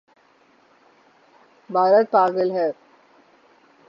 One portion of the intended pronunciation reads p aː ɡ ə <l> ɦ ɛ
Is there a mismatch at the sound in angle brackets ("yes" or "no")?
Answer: no